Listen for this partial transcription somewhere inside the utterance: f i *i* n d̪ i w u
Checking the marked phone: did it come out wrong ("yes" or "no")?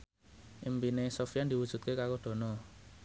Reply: yes